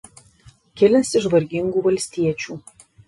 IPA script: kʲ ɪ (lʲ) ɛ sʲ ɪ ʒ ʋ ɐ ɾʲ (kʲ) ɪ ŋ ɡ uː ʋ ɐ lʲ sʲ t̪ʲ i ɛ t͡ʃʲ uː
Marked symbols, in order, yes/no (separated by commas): yes, no